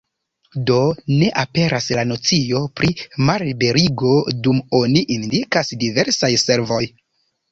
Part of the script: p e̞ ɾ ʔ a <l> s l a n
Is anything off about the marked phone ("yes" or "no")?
yes